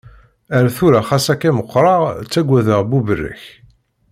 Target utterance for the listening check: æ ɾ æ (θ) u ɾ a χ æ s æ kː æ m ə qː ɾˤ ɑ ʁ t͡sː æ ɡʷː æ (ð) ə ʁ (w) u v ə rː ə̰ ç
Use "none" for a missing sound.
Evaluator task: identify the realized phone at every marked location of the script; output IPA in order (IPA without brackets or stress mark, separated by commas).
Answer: θ, ð, b